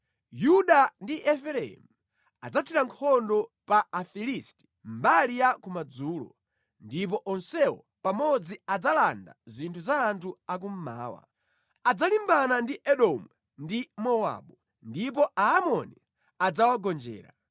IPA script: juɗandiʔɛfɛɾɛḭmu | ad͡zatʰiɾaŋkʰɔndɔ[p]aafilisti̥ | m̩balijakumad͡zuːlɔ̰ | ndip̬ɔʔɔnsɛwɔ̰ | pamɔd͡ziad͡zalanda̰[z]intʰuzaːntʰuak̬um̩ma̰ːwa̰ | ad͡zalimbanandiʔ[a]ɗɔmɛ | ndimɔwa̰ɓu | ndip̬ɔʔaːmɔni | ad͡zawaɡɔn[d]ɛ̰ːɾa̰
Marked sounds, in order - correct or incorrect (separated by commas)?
correct, correct, incorrect, incorrect